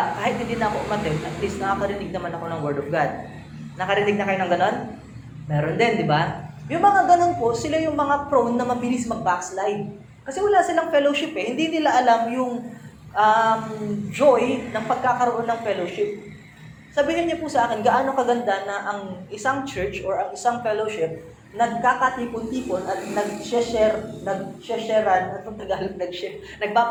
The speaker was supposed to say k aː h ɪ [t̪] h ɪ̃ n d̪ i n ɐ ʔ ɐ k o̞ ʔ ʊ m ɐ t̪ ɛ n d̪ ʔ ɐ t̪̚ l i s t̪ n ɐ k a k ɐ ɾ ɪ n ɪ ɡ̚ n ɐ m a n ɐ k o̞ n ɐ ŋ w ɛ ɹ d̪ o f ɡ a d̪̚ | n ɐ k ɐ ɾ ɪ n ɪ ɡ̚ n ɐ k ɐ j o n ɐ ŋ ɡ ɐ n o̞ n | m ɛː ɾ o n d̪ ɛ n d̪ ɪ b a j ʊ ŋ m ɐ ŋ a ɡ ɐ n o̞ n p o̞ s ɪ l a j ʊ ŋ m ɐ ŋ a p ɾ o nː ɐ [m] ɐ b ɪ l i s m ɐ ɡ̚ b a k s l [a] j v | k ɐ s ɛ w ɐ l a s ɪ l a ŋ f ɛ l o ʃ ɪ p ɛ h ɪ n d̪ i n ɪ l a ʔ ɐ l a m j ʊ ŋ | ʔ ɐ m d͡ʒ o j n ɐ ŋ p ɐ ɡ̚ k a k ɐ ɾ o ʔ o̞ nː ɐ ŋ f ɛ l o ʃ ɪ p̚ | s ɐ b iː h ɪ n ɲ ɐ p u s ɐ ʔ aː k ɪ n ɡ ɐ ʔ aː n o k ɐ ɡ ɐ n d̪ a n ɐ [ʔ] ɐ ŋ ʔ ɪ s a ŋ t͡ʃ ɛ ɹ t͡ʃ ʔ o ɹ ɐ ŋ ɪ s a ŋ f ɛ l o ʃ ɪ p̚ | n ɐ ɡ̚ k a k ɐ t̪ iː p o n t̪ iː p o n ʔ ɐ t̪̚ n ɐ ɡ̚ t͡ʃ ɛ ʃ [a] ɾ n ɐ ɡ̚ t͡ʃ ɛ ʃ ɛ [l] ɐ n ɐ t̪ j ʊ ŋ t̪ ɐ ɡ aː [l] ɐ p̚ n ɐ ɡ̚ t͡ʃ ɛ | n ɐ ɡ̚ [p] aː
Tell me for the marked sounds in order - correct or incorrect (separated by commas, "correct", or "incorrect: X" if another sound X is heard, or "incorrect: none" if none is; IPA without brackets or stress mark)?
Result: correct, correct, correct, correct, incorrect: ɛ, incorrect: ɾ, correct, correct